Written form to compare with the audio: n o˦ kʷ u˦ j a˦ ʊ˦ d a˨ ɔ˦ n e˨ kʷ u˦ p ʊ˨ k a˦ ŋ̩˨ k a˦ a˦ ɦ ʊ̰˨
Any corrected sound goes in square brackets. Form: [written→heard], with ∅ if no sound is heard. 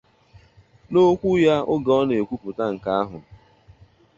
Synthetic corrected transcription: n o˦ kʷ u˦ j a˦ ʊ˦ [d→ɡ] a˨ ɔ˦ n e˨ kʷ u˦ p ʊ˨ [k→t] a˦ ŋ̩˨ k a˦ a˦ ɦ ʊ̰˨